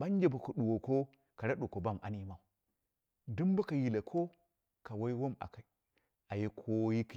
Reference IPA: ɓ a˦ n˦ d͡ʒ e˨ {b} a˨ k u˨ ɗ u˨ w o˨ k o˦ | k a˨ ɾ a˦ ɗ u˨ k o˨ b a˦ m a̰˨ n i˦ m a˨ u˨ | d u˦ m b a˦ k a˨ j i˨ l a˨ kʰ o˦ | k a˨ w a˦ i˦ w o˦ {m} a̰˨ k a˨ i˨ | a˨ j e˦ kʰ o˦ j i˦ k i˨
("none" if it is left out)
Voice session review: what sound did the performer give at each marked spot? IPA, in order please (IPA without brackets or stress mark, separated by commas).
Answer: b, m